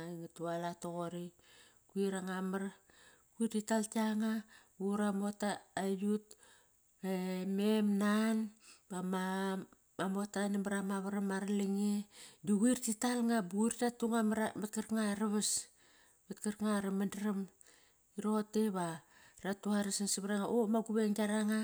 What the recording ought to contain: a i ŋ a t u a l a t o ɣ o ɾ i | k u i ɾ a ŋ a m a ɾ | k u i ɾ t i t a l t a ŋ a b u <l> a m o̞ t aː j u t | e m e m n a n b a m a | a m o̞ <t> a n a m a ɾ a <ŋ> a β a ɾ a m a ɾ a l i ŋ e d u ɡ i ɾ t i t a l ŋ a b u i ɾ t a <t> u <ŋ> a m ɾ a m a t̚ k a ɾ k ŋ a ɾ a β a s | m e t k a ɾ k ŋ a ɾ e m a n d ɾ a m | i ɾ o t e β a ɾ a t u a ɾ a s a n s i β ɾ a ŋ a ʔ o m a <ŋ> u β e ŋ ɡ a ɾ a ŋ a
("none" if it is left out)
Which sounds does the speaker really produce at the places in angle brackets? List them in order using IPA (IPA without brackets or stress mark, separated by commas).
ɾ, t, m, t, ŋ, ɡ